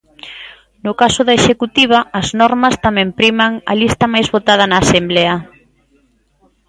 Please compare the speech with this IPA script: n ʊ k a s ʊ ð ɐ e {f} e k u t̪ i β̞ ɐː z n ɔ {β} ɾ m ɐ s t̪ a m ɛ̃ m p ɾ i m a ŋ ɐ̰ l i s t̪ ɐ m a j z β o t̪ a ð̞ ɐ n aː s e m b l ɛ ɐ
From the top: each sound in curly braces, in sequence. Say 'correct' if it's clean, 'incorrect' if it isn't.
incorrect: ʃ, incorrect: none

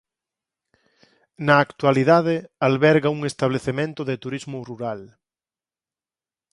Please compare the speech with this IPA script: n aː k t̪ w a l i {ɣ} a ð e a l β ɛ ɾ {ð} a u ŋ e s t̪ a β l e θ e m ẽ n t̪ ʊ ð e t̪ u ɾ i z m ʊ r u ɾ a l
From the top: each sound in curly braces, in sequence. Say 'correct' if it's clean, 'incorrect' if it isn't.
incorrect: ð, incorrect: ɣ

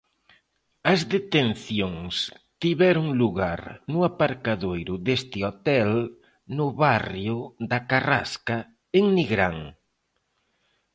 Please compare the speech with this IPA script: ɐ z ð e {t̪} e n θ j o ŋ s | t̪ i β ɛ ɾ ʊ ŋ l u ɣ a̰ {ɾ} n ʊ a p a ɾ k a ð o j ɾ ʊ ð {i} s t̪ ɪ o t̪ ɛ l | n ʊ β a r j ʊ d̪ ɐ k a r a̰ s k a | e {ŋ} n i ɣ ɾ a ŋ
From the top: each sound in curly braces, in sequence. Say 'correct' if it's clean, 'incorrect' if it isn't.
correct, correct, incorrect: e, correct

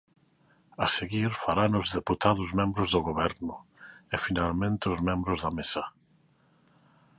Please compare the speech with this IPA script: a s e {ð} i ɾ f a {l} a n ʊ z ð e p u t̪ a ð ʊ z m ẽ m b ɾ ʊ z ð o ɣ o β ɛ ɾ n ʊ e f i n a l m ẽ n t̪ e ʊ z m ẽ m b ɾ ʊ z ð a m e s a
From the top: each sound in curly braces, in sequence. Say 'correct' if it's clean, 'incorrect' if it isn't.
incorrect: ɣ, incorrect: ɾ

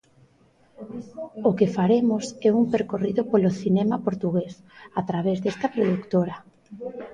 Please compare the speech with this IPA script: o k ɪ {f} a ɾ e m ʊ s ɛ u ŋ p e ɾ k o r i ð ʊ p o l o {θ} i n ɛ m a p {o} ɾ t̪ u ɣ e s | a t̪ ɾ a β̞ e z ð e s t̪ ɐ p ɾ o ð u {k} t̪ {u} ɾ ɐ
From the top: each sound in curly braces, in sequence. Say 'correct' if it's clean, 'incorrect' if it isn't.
correct, correct, correct, correct, incorrect: o

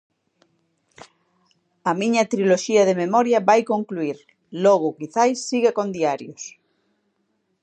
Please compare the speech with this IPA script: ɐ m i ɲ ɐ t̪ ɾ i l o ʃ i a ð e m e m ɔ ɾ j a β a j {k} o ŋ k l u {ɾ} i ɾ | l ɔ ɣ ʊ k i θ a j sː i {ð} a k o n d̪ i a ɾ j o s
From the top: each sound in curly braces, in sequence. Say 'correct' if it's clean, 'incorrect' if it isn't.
correct, incorrect: none, incorrect: ɣ

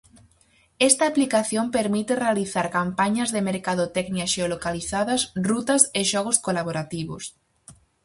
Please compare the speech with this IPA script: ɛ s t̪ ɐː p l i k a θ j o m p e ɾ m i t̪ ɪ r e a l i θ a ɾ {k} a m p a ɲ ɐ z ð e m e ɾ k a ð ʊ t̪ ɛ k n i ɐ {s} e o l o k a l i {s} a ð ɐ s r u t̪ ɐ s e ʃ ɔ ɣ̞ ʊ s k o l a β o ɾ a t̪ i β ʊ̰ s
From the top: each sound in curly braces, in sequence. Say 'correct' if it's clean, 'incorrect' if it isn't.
correct, incorrect: ʃ, incorrect: θ

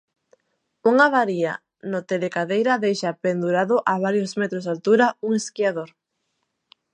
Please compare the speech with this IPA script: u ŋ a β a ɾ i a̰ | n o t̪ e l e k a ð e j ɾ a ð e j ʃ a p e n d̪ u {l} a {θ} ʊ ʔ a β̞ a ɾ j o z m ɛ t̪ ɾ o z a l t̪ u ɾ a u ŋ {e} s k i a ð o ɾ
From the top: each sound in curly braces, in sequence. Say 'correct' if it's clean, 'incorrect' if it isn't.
incorrect: ɾ, incorrect: ð, correct

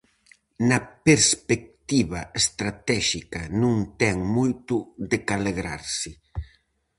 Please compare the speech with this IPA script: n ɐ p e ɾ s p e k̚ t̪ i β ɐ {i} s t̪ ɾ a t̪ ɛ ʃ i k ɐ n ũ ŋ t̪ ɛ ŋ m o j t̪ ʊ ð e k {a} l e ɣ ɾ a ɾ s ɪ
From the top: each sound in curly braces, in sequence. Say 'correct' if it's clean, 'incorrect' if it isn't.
incorrect: e, correct

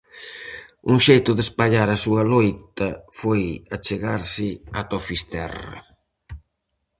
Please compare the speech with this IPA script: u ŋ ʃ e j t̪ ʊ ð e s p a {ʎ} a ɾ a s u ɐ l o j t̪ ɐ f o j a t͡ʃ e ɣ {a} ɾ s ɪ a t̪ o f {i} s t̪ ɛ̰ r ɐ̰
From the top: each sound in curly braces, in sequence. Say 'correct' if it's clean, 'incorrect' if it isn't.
correct, correct, correct

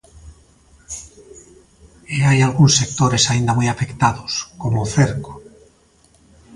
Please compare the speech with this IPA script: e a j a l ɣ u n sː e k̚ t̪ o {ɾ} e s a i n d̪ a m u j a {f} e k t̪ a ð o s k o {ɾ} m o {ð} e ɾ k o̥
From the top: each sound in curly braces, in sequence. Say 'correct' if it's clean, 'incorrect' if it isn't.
correct, correct, incorrect: none, incorrect: θ

